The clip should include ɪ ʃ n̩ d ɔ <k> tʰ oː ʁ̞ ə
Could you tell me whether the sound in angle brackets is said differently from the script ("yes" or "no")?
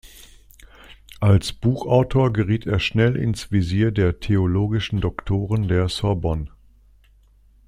no